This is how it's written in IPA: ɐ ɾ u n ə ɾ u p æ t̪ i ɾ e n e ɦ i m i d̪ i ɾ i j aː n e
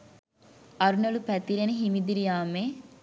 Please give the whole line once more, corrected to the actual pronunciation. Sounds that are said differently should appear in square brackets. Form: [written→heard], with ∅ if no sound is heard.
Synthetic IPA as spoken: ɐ ɾ u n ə [ɾ→l] u p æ t̪ i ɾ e n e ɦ i m i d̪ i ɾ i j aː [n→m] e

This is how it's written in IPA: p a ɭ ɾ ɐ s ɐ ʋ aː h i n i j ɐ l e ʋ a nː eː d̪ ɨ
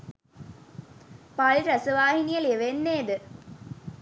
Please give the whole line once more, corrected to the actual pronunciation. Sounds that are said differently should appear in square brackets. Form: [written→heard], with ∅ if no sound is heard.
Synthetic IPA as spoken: p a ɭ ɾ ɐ s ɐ ʋ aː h i n i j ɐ l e ʋ [a→e] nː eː d̪ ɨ

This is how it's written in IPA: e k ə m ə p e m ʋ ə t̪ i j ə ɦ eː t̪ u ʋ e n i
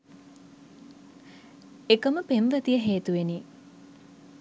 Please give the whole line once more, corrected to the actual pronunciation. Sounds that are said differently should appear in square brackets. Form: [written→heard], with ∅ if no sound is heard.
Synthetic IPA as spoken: e k ə m ə p e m ʋ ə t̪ i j ə ɦ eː t̪ u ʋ e n i

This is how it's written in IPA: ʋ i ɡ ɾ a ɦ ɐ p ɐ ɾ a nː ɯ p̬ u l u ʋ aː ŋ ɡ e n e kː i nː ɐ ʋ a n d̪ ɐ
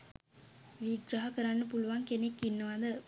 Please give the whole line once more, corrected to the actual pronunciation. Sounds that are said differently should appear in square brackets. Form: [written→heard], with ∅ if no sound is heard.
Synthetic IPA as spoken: ʋ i ɡ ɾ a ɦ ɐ [p→k] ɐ ɾ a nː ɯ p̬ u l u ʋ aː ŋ [ɡ→k] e n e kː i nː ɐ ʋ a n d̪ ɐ

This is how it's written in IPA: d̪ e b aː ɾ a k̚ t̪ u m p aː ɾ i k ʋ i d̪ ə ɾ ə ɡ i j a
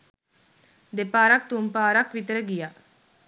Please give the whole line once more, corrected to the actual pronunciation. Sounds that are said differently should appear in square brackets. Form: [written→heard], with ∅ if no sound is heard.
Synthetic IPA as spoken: d̪ e [b→p] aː ɾ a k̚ t̪ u m p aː ɾ [i→a] k ʋ i [d̪→t̪] ə ɾ ə ɡ i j a

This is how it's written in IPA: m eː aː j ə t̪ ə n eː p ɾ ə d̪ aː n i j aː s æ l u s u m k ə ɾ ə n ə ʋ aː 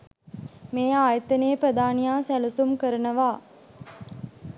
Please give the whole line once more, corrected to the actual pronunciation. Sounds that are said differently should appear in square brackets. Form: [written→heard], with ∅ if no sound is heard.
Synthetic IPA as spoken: m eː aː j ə t̪ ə n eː p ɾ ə d̪ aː n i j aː s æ l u s u m k ə ɾ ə n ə ʋ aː

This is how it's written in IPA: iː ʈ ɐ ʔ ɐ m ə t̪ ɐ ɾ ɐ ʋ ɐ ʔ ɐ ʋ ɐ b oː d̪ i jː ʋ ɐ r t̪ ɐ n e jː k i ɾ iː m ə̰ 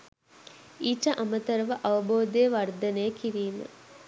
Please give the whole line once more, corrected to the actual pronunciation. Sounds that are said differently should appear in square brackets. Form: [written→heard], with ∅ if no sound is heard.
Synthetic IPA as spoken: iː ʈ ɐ ʔ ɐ m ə t̪ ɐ ɾ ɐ ʋ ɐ ʔ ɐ ʋ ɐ b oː d̪ [i→e] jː ʋ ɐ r [t̪→d̪] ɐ n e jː k i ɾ iː m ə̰

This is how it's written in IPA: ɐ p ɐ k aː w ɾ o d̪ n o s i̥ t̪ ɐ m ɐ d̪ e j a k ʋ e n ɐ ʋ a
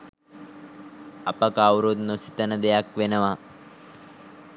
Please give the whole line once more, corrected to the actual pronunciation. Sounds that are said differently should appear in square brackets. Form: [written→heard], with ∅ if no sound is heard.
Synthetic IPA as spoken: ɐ p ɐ k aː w ɾ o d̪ n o s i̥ t̪ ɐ [m→n] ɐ d̪ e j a k ʋ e n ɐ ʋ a

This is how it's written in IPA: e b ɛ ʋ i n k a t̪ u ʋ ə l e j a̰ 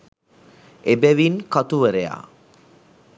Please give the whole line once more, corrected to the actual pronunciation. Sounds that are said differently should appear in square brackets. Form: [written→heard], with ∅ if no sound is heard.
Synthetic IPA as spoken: e b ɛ ʋ i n k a t̪ u ʋ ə [l→ɾ] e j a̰

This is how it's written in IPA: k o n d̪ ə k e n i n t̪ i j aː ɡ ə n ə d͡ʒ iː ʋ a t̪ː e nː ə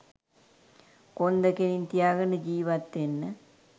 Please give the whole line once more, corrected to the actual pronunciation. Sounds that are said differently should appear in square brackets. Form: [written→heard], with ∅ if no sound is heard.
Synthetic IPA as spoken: k o n d̪ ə k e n i n t̪ i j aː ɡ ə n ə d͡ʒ iː ʋ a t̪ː e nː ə

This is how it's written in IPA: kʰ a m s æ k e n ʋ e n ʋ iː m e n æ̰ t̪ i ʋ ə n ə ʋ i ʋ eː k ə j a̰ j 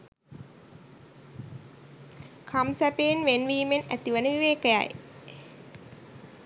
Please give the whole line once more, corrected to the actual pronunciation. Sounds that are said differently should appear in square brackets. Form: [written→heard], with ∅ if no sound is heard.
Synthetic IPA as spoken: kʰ a m s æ [k→p] e n ʋ e n ʋ iː m e n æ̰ t̪ i ʋ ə n ə ʋ i ʋ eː k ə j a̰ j

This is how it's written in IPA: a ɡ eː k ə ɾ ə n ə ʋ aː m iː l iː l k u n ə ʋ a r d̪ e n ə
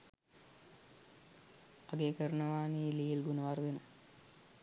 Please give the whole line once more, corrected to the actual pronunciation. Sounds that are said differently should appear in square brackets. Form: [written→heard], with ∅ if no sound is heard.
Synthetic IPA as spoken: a ɡ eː k ə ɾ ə n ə ʋ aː [m→n] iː l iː l [k→ɡ] u n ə ʋ a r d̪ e n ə

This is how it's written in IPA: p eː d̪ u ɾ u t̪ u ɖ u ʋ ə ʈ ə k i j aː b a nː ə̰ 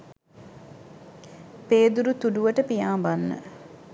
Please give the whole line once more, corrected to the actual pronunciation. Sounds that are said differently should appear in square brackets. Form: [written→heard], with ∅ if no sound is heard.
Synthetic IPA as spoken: p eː d̪ u ɾ u t̪ u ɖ u ʋ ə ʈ ə [k→p] i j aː b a nː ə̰

